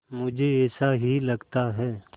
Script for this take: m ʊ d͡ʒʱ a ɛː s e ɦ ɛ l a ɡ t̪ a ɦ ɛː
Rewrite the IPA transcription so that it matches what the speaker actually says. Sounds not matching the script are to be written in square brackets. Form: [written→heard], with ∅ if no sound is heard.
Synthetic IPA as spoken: m ʊ d͡ʒʱ [a→e] ɛː s [e→a] ɦ [ɛ→i] l [a→ɐ] ɡ t̪ a ɦ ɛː